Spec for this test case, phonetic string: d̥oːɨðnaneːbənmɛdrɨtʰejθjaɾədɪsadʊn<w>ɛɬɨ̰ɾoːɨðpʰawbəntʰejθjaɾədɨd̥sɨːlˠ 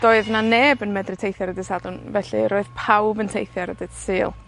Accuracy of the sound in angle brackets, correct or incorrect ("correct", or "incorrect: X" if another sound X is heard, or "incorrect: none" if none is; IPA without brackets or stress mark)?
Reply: incorrect: v